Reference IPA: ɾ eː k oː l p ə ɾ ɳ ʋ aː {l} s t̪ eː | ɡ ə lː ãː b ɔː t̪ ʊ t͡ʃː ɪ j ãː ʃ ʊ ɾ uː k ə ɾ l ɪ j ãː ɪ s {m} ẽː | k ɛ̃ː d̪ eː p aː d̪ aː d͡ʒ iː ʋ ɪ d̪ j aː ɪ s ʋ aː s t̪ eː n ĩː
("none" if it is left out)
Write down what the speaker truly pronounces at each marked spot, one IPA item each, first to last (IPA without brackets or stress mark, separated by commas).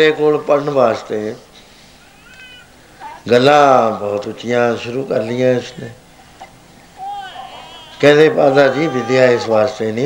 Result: none, n